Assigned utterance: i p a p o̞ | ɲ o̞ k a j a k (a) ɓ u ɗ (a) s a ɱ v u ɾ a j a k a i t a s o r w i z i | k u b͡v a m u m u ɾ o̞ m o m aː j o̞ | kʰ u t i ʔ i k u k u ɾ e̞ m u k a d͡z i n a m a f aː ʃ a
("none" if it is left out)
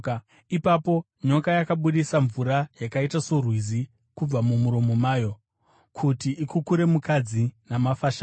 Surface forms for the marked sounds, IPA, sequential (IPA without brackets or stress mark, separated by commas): a, i